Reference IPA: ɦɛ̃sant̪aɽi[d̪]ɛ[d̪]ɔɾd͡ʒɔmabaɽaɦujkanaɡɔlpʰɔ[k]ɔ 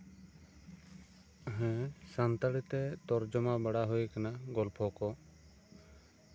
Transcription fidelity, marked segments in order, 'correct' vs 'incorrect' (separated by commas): incorrect, incorrect, correct